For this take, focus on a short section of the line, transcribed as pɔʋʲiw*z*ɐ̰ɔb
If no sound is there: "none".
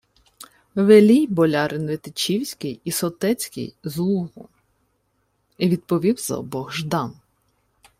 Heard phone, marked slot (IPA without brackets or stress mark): z